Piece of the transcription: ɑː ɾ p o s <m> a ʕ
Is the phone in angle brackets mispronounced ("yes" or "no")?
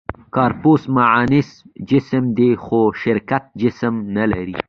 no